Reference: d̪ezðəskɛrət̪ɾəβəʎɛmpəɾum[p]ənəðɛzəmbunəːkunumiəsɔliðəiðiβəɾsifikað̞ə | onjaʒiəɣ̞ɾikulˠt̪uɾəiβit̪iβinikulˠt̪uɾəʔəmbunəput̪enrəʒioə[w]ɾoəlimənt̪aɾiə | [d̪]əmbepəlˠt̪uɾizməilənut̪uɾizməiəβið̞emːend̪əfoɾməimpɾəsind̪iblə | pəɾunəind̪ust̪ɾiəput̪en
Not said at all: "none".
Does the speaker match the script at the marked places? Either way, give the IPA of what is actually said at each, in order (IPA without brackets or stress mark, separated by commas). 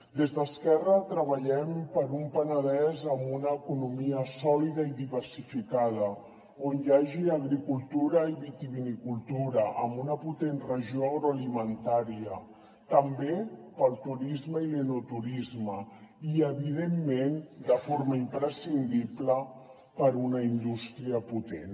p, ɣ, t̪